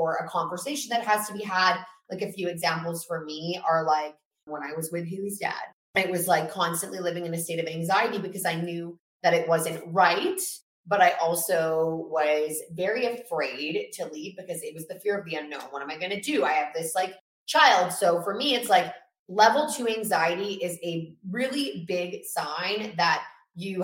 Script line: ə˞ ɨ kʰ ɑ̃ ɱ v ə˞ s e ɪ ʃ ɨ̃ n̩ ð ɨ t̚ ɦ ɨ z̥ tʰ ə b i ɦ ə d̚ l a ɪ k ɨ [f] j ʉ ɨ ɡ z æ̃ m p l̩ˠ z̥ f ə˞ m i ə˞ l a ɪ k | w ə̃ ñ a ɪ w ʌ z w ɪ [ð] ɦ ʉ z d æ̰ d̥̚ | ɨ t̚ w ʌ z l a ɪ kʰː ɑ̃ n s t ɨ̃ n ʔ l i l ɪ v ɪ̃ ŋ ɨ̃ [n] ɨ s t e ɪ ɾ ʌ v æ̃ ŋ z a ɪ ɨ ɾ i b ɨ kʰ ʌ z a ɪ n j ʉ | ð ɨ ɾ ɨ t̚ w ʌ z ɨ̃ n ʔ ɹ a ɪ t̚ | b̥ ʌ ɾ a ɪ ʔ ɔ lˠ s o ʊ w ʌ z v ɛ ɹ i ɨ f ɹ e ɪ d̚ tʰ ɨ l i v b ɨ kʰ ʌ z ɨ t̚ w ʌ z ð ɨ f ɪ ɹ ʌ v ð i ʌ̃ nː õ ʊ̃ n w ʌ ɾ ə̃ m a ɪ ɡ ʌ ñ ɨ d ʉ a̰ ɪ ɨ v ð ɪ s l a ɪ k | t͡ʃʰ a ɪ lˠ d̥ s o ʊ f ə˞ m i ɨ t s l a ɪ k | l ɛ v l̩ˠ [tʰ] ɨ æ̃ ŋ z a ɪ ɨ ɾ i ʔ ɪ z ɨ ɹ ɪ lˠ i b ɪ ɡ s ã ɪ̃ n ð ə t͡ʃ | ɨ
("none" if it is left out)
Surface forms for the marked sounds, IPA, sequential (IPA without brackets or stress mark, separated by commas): f, ð, n, tʰ